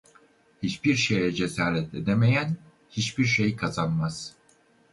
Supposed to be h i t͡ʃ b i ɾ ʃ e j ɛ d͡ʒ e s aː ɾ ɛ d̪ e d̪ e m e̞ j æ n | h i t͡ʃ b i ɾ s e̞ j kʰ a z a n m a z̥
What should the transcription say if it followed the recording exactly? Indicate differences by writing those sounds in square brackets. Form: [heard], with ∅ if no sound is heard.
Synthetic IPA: h i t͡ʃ b i ɾ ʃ e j ɛ d͡ʒ e s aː ɾ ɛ [t̪] e d̪ e m e̞ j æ n | h i t͡ʃ b i ɾ [ʃ] e̞ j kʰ a z a n m a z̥